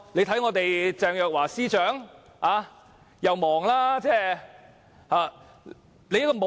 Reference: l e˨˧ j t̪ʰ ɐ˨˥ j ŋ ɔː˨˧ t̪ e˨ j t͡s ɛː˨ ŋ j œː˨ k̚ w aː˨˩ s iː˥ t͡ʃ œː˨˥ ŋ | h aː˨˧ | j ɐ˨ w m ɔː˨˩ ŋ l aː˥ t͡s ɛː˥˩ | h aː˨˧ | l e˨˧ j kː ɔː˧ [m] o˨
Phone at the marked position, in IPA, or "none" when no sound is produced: m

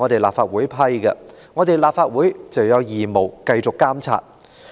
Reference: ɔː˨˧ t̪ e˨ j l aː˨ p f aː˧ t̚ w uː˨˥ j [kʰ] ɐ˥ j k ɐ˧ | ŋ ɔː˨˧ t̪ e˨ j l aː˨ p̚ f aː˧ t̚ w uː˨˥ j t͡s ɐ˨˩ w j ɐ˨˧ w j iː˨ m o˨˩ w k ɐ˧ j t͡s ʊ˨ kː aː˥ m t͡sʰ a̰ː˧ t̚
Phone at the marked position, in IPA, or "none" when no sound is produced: pʰ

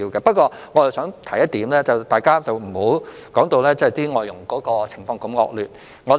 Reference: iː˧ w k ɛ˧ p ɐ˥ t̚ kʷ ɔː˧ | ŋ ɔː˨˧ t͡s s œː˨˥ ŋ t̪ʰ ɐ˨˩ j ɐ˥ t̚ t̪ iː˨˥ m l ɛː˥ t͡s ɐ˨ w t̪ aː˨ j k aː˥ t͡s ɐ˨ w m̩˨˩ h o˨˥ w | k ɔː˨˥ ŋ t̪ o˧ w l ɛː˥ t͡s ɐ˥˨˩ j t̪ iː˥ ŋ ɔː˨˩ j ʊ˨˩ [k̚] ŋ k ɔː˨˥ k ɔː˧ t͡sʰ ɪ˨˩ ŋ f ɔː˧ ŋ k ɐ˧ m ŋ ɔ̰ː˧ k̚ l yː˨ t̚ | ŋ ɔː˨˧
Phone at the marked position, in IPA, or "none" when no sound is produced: none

